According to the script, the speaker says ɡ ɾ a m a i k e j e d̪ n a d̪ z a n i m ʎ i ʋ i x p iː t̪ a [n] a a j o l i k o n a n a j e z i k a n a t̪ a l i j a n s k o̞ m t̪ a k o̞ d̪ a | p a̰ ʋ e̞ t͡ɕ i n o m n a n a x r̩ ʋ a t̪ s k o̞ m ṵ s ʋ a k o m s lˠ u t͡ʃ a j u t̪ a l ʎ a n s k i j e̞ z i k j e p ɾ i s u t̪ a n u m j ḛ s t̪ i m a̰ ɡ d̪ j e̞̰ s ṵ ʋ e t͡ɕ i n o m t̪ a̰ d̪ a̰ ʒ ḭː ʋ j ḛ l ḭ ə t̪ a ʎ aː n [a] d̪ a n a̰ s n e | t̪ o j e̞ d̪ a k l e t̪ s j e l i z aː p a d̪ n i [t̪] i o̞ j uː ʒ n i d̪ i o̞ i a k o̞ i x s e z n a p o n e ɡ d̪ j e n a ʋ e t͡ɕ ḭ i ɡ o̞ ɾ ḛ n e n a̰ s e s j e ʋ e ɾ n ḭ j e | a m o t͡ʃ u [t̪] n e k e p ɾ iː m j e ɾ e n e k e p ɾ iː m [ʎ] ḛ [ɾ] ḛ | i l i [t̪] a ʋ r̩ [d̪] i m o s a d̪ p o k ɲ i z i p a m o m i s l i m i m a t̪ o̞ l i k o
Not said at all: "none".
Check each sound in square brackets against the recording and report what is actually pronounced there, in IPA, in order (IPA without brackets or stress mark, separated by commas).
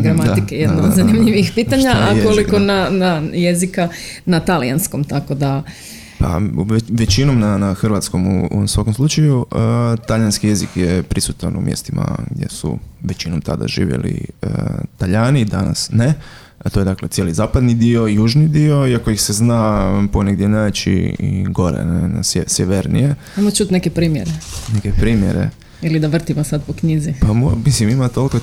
ɲ, i, d̪, t̪, j, ɾ, d̪, t̪